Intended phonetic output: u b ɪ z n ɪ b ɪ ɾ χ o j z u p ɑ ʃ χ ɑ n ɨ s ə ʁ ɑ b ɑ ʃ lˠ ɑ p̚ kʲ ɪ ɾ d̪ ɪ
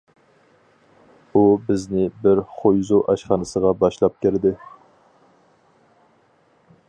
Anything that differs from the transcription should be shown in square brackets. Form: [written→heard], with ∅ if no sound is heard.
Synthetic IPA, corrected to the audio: u b ɪ z n ɪ b ɪ ɾ χ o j z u [p→ʔ] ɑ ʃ χ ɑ n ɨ s ə ʁ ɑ b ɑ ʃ lˠ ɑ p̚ kʲ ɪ ɾ d̪ ɪ